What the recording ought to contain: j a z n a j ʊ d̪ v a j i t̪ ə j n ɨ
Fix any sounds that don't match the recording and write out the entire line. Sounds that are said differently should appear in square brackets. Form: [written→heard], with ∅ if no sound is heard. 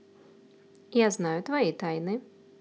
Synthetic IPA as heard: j a z n a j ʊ [d̪→t̪] v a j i t̪ [ə→a] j n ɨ